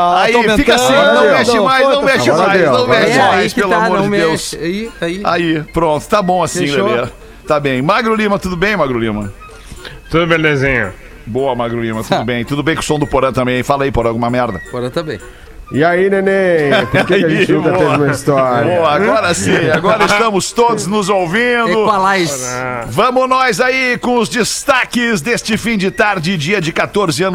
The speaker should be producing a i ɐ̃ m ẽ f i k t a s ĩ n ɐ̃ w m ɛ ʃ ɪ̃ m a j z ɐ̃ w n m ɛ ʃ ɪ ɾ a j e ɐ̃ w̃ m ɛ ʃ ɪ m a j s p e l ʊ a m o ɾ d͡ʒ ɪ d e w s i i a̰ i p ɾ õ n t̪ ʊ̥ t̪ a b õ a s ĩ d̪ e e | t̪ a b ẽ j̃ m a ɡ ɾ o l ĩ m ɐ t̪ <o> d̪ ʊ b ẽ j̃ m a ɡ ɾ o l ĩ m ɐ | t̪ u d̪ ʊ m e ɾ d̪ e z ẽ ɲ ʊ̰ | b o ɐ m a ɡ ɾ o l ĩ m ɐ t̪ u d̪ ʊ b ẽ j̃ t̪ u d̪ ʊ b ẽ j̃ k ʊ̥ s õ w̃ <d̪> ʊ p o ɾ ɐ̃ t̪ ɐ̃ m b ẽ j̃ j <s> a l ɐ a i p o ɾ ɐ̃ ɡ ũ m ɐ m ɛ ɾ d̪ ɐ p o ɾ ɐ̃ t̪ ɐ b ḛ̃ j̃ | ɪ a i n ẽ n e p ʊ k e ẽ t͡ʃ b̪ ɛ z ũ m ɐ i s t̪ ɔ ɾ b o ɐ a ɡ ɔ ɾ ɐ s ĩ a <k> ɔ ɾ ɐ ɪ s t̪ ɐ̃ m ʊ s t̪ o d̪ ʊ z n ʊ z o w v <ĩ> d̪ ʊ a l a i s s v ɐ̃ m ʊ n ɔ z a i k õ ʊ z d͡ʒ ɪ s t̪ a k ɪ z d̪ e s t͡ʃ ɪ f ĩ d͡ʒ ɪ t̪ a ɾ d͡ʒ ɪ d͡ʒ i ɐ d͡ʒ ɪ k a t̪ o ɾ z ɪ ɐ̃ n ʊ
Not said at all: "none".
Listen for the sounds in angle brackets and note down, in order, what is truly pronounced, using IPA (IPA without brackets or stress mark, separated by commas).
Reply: u, d̪, f, ɡ, ĩ